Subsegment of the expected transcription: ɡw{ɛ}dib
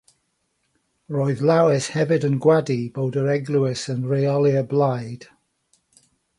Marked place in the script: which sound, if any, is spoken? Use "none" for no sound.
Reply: a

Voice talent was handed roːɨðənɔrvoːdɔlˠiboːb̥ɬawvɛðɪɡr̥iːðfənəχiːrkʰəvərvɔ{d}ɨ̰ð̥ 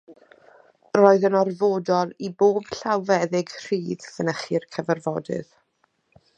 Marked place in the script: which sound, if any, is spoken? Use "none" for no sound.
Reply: d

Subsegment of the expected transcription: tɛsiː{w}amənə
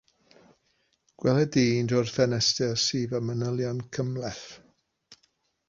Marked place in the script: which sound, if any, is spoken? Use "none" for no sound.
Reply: v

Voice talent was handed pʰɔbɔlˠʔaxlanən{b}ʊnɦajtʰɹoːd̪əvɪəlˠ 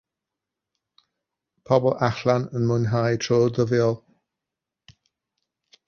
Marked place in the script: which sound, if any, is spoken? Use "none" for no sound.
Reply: m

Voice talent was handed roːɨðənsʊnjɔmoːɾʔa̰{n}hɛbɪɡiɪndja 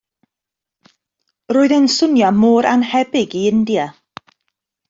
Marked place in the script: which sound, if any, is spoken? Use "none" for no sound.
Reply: n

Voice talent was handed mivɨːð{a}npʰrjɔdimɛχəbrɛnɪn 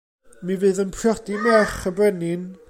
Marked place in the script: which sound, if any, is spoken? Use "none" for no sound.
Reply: ə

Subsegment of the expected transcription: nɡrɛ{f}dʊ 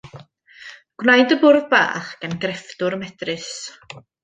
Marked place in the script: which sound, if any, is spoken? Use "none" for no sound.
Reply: f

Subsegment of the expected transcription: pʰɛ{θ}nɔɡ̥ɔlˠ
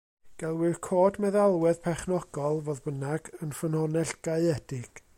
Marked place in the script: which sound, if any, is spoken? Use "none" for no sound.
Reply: χ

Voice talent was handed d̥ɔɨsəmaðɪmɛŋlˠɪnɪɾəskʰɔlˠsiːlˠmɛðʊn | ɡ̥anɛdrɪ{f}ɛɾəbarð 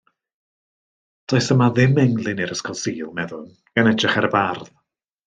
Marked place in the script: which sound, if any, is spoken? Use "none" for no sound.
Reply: χ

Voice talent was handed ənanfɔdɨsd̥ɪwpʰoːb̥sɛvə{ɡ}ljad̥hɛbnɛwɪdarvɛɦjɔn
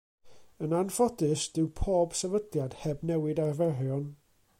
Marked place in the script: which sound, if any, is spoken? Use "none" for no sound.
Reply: d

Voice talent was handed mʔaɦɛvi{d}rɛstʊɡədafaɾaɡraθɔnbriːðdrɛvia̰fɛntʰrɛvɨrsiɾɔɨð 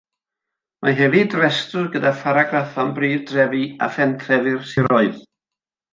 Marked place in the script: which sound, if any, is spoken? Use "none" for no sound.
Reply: d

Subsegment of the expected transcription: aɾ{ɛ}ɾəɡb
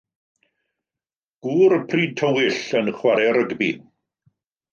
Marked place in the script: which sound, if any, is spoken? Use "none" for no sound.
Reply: ɛ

